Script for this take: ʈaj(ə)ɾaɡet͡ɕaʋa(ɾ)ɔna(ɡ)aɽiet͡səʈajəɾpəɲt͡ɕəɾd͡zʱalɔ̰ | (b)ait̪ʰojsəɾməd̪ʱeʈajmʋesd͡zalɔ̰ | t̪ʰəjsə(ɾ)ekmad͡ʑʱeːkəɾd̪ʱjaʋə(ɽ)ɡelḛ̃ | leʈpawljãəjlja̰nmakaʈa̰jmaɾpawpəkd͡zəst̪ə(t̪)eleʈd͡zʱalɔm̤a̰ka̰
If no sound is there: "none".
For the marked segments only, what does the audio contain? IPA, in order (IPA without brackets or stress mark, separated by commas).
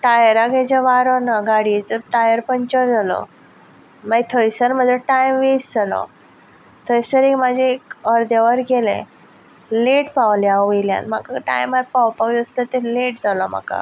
ə, ɾ, ɡ, m, ɾ, ɾ, t̪